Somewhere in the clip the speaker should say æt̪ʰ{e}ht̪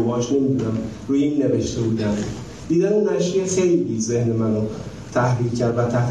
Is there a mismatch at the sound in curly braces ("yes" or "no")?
yes